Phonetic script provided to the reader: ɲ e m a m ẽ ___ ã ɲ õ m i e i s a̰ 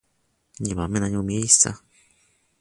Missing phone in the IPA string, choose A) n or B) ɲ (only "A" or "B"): A